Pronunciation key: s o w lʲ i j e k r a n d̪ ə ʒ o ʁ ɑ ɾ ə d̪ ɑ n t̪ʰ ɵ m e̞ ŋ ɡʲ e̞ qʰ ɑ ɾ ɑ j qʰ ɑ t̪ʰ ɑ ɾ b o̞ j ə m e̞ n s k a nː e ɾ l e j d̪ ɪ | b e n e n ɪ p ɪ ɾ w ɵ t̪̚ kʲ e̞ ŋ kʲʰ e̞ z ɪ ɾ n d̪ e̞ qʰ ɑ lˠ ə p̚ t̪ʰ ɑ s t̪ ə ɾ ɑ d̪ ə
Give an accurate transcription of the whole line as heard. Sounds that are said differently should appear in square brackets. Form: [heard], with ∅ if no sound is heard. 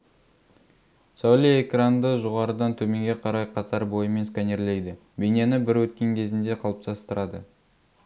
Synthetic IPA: s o w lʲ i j e k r a n d̪ ə ʒ o ʁ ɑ ɾ ə d̪ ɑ n t̪ʰ ɵ m e̞ ŋ ɡʲ e̞ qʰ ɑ ɾ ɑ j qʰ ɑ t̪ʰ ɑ ɾ b o̞ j ə m e̞ n s k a [n] e ɾ l e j d̪ ɪ | b e n e n ɪ [b] ɪ ɾ w ɵ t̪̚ kʲ e̞ ŋ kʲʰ e̞ z ɪ [∅] n d̪ e̞ qʰ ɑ lˠ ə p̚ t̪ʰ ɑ s t̪ ə ɾ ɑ d̪ ə